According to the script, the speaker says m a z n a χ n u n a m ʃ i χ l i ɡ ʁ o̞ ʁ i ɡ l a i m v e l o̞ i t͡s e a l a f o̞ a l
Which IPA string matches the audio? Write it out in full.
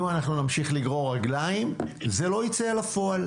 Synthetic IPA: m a n a χ n u n a m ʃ i χ l i ɡ ʁ o̞ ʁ a ɡ l a i m z e l o̞ i t͡s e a l a f o̞ a l

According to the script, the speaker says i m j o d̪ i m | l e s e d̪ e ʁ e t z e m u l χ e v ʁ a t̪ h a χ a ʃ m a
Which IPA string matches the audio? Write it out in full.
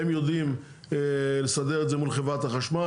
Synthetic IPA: e m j o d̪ i m | l e s a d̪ e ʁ e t z e m u l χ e v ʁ a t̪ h a χ a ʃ m a

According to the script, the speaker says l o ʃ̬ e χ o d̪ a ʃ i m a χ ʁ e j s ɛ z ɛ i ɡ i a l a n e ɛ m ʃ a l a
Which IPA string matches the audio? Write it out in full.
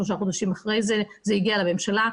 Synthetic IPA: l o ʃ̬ a χ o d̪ a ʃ i m a χ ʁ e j z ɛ z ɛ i ɡ i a l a m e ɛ m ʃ a l a

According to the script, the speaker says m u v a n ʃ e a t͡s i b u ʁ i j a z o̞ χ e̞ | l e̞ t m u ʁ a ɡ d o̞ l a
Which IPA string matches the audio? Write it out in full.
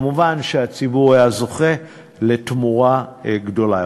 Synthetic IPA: m u v a n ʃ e a t͡s i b u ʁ a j a z o̞ χ e̞ | l e̞ t m u ʁ a ɡ d o̞ l a

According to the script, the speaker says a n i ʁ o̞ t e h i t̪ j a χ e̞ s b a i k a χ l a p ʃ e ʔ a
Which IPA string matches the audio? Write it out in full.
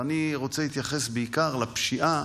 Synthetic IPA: a n i ʁ o̞ t͡s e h i t̪ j a χ e̞ s b e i k a ʁ l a p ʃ i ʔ a

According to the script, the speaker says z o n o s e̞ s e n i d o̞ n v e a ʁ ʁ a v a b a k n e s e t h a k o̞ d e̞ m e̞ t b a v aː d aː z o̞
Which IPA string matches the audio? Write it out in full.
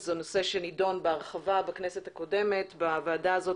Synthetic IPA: z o n o s e̞ ʃ e n i d o̞ n b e a ʁ χ a v a b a k n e s e t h a k o̞ d e̞ m e̞ t b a v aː d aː z o̞

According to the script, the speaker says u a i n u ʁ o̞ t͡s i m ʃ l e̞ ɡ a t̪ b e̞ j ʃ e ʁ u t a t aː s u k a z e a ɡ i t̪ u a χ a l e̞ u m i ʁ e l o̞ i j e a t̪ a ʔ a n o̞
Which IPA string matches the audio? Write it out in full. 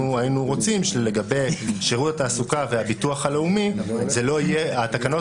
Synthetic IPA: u a i n u ʁ o̞ t͡s i m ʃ l e̞ ɡ a b e̞ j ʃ e ʁ u t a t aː s u k a v e a b i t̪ u a χ a l e̞ u m i z e l o̞ i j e a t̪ a k a n o̞

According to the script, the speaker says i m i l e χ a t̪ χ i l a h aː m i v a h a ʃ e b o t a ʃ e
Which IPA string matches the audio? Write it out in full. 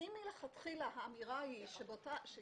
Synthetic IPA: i m i l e χ a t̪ χ i l a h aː m i ʁ a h i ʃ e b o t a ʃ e

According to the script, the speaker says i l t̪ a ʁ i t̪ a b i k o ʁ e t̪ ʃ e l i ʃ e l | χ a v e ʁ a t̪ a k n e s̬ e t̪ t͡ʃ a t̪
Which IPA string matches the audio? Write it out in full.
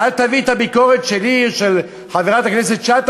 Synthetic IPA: a l t̪ a v i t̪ a b i k o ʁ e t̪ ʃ e l i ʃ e l | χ a v e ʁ a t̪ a k n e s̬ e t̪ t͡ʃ a t̪

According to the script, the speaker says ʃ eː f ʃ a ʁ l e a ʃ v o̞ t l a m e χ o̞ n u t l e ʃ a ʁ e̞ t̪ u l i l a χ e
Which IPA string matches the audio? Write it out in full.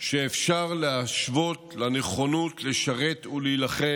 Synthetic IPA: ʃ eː f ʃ a ʁ l e a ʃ v o̞ t l a n e χ o̞ n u t l e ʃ a ʁ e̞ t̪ u l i l a χ e

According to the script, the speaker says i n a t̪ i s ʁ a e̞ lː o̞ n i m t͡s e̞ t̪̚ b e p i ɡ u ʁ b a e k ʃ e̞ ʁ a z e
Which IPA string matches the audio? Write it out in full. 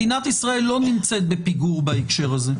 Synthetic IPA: i n a t̪ i s ʁ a e̞ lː o̞ n i m t͡s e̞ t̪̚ b e p i ɡ u ʁ b a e k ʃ e̞ ʁ a z e

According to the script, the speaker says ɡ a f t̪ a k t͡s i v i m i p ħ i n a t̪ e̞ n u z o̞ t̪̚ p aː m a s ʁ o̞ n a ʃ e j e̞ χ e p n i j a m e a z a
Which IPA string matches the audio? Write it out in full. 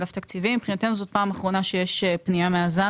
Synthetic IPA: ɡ a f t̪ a k t͡s i v i m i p χ i n a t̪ e̞ n u z o̞ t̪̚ p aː m a χ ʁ o̞ n a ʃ e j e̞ ʃ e p n i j a m e a z a

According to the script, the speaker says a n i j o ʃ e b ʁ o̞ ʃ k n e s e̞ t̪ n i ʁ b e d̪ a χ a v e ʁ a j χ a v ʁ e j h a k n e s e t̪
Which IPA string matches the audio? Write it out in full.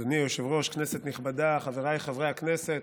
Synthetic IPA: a n i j o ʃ e v ʁ o̞ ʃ k n e s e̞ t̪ n i χ b a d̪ a χ a v e ʁ a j χ a v ʁ e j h a k n e s e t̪

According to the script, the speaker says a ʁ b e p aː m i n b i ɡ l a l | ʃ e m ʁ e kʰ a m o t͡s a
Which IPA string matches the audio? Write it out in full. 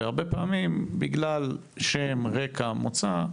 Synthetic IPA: a ʁ b e p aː m i m b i ɡ l a l | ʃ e m ʁ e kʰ a m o t͡s a

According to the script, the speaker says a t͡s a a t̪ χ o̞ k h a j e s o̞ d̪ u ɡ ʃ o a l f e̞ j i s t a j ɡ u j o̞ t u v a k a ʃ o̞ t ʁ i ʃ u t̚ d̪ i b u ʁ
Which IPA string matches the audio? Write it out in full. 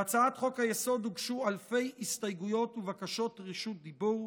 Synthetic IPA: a t͡s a a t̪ χ o̞ k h a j e s o̞ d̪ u ɡ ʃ u a l f e̞ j i s t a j ɡ u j o̞ t u v a k a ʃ o̞ t ʁ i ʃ u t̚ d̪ i b u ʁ

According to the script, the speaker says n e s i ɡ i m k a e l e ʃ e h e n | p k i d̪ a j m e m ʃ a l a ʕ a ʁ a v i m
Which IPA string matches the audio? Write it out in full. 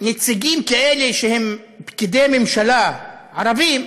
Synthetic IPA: n e t͡s i ɡ i m k a e l e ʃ e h e m | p k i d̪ e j m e m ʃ a l a ʕ a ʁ a v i m

